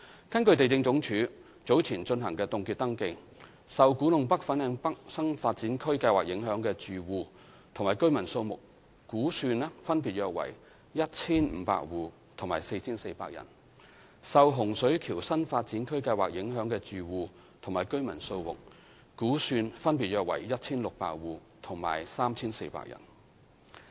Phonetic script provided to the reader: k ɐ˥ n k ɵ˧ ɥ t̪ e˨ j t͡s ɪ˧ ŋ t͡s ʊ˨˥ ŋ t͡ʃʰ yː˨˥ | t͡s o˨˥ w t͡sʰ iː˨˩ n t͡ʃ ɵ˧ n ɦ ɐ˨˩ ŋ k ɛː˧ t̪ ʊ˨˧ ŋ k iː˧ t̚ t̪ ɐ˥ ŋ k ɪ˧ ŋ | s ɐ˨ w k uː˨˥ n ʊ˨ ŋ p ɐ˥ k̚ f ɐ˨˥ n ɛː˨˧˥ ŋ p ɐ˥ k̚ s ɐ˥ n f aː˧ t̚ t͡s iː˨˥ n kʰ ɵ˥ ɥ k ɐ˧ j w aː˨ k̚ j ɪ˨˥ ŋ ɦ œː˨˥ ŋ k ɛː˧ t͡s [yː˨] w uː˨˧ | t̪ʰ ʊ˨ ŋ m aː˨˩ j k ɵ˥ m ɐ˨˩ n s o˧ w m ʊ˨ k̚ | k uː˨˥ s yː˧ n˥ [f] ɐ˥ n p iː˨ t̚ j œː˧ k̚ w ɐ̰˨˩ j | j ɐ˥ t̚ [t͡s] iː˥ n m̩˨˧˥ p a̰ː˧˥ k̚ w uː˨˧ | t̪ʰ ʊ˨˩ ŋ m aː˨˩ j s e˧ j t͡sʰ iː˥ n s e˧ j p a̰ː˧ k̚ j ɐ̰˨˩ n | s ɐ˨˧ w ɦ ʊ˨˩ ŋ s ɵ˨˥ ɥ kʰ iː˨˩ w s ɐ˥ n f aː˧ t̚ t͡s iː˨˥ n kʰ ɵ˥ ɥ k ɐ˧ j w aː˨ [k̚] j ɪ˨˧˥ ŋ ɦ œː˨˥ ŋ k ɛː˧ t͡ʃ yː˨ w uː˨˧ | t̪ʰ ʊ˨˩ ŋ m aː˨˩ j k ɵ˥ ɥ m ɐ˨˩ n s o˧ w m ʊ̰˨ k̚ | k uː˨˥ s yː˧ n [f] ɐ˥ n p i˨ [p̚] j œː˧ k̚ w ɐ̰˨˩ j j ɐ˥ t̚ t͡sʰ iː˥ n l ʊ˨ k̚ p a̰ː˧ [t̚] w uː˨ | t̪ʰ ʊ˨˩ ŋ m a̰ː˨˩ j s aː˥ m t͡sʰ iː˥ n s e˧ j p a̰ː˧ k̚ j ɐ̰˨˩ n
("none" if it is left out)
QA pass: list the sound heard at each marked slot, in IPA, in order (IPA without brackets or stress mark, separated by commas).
yː˨, f, t͡sʰ, k̚, f, t̚, k̚